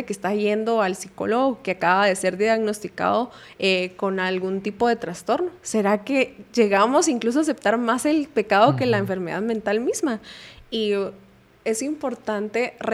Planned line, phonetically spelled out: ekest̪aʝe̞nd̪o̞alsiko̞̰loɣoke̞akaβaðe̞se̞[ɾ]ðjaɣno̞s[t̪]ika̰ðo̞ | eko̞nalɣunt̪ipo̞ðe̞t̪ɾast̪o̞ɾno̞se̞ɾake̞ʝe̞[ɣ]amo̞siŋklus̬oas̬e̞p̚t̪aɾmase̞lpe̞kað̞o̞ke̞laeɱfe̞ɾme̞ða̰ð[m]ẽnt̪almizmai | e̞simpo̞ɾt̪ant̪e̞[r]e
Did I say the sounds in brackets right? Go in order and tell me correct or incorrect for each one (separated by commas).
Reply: correct, correct, correct, correct, correct